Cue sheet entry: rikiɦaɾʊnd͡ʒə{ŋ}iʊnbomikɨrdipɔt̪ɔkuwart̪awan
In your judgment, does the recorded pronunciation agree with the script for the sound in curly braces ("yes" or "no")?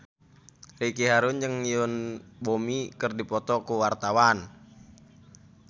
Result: yes